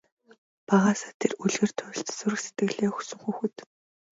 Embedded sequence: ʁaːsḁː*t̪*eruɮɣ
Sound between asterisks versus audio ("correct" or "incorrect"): incorrect